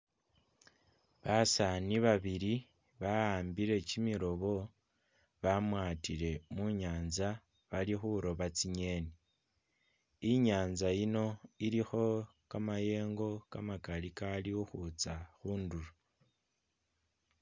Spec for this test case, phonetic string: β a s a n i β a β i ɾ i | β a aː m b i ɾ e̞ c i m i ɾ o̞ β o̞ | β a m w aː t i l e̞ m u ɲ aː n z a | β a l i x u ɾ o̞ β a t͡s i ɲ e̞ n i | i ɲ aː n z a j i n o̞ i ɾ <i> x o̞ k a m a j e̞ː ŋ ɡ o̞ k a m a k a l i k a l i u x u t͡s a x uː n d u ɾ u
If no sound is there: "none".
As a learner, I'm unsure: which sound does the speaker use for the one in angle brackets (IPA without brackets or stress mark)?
i